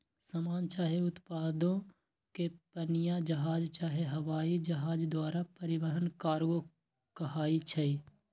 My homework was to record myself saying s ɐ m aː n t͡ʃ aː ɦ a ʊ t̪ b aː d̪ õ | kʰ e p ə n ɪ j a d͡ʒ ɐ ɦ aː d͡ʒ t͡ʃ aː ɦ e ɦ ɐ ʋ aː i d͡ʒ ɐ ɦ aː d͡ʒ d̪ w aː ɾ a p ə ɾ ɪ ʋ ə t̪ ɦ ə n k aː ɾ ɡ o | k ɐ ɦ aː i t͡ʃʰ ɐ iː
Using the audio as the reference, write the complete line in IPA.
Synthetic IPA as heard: s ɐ m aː n t͡ʃ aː ɦ e ʊ t̪ p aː d̪ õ | k e p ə n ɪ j a d͡ʒ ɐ ɦ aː d͡ʒ t͡ʃ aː ɦ e ɦ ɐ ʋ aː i d͡ʒ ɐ ɦ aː d͡ʒ d̪ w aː ɾ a p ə ɾ ɪ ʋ ə ɦ ə n k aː ɾ ɡ o | k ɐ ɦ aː i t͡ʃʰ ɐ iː